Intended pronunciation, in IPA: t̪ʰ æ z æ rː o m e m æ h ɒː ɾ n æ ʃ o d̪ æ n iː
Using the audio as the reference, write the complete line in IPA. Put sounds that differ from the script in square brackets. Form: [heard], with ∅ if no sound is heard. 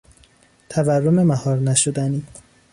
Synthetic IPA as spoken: t̪ʰ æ [v] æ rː o m e m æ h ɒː ɾ n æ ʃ o d̪ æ n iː